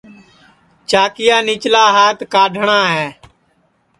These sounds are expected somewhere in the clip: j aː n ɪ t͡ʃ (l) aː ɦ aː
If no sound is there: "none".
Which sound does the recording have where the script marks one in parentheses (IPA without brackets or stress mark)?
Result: l